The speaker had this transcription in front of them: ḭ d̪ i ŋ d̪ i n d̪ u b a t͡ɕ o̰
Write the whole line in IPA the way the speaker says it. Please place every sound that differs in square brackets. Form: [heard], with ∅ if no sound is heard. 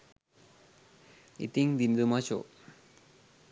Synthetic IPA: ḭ [t̪] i ŋ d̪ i n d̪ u [m] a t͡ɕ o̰